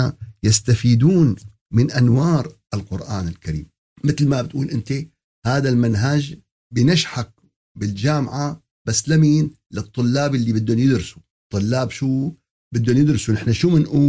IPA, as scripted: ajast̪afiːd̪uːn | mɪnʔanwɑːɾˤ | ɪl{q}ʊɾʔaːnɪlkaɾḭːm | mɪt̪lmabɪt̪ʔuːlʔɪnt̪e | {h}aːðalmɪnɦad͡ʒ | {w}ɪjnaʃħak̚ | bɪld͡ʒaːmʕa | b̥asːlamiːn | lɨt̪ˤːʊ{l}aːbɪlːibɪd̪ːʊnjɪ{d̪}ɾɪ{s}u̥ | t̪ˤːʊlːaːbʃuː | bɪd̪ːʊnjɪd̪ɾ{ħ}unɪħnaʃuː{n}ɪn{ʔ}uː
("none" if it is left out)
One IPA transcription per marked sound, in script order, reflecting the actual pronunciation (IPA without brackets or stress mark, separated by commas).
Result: q, h, b, lː, d̪, s, s, m, ʔ